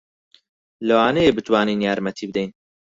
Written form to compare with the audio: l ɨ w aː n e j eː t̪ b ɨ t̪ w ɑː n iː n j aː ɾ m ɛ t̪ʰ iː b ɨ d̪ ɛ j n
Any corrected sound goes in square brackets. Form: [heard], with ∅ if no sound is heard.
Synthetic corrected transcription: l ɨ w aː n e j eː [∅] b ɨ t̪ w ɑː n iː n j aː ɾ m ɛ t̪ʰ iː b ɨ d̪ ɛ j n